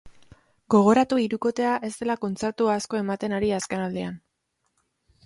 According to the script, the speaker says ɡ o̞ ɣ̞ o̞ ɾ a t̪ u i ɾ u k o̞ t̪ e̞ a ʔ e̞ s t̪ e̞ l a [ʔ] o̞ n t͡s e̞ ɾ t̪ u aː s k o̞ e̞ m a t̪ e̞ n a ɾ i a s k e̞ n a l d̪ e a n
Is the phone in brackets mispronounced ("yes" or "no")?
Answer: yes